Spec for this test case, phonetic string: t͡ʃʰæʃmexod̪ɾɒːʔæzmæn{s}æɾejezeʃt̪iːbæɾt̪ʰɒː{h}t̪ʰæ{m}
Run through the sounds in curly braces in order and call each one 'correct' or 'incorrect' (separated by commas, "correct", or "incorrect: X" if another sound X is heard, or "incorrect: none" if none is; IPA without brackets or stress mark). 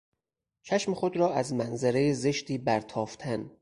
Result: incorrect: z, incorrect: f, incorrect: n